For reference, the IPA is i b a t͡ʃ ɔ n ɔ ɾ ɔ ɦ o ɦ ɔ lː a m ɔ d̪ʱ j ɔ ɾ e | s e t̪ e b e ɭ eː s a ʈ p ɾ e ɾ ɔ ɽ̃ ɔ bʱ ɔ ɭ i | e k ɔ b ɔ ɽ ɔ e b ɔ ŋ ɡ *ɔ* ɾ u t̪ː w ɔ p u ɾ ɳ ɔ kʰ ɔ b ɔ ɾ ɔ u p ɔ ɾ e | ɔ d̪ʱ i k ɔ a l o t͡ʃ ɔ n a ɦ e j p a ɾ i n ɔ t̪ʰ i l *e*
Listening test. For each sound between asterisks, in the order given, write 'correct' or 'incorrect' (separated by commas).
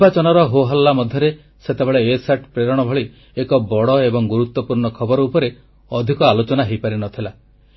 incorrect, incorrect